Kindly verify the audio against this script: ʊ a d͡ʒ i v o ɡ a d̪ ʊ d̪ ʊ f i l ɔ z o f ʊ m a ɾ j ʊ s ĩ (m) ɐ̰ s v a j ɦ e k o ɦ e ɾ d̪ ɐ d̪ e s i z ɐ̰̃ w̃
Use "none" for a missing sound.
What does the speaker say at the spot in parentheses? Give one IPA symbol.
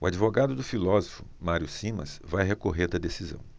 m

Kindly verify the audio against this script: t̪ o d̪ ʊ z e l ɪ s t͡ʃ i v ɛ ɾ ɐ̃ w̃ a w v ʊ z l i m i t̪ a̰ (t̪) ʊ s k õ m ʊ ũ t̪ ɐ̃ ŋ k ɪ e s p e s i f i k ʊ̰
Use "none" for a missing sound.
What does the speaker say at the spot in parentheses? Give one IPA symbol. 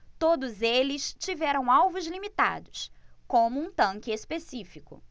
d̪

